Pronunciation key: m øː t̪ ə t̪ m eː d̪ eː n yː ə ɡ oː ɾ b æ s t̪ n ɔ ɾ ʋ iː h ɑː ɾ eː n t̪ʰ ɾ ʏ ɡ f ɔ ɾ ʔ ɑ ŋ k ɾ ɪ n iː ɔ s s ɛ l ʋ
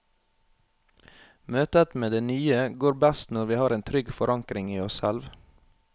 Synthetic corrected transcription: m øː t̪ ə t̪ m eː d̪ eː n yː ə ɡ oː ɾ b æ s t̪ n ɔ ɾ ʋ iː h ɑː ɾ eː n t̪ʰ ɾ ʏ ɡ f ɔ ɾ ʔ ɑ ŋ k ɾ ɪ ŋ iː ɔ s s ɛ l ʋ